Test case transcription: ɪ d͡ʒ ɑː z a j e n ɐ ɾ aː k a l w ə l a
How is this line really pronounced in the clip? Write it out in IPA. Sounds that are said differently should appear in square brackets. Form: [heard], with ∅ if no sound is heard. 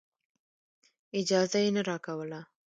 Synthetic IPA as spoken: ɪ d͡ʒ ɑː z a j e n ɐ ɾ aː k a [∅] w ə l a